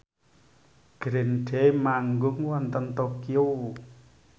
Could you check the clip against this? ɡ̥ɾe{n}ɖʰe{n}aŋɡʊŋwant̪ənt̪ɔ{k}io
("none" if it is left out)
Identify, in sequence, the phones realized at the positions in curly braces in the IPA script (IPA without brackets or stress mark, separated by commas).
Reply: n, m, k